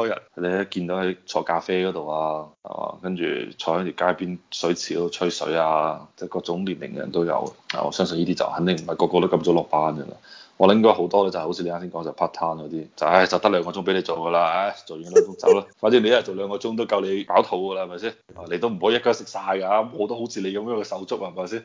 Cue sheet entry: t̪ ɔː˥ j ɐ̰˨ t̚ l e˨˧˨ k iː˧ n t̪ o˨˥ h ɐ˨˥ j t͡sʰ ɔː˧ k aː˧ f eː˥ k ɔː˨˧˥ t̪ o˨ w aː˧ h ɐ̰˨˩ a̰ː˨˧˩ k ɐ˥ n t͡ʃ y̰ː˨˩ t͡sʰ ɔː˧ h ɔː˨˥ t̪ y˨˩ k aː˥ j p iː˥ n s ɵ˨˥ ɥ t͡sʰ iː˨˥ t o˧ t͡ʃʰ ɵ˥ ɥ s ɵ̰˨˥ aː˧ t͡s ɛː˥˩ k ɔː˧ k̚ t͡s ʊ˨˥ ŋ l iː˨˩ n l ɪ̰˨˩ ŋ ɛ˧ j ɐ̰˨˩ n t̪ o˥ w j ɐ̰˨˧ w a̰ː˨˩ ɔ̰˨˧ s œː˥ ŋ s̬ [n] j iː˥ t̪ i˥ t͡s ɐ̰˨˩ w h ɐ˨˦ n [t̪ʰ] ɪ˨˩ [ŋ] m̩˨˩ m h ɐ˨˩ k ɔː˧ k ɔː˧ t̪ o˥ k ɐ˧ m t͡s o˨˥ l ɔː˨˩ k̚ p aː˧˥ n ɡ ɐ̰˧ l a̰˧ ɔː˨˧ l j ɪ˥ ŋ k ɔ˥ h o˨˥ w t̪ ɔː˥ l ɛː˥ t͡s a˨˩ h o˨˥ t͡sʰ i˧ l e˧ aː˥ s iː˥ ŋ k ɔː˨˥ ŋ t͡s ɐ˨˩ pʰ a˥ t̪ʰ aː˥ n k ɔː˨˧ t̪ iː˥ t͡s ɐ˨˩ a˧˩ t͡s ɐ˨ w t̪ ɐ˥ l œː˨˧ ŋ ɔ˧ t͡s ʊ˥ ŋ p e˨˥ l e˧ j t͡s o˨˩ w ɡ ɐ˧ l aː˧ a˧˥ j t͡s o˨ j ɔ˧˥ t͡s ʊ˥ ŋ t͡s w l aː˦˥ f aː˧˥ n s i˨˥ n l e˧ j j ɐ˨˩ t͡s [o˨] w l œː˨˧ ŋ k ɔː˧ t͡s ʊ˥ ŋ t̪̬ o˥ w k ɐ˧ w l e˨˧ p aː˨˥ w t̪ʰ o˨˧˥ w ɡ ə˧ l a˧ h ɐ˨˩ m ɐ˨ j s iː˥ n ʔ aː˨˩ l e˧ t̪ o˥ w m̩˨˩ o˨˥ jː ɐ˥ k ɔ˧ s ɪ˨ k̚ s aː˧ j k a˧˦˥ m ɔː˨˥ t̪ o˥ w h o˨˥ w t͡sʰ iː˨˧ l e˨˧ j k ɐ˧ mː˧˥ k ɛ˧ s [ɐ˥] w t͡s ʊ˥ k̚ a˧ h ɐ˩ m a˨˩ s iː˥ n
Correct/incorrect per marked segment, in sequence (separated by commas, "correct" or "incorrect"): correct, incorrect, correct, correct, incorrect